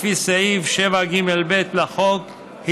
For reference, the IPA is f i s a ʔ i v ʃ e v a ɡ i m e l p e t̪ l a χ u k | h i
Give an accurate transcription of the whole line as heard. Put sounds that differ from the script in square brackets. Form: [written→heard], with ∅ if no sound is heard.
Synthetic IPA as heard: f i s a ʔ i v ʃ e v a ɡ i m e l [p→b] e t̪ l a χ [u→o] k | h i